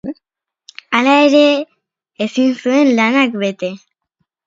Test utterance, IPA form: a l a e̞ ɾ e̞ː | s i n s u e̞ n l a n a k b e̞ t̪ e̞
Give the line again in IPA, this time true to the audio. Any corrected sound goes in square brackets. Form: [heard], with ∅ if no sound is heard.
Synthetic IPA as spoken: a l a e̞ ɾ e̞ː | s i n s u e̞ n l a n a k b e̞ t̪ e̞